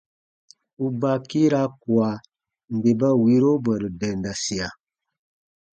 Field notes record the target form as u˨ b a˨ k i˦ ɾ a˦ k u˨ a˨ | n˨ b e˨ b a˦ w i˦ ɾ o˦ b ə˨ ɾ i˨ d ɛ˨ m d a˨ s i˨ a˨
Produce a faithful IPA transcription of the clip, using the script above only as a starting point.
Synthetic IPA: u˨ b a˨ k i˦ ɾ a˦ k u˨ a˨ | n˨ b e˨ b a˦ w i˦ ɾ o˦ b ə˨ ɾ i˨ d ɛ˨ n d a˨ s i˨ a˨